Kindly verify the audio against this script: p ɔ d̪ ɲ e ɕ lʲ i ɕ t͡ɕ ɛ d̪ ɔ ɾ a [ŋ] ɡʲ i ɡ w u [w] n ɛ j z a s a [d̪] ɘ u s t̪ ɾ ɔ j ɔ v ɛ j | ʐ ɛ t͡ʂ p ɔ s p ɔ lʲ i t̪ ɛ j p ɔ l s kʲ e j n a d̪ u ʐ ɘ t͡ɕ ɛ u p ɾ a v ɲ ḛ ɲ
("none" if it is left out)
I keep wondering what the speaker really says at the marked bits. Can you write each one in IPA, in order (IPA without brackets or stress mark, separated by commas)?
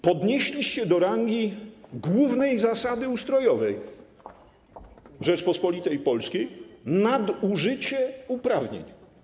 ŋ, v, d̪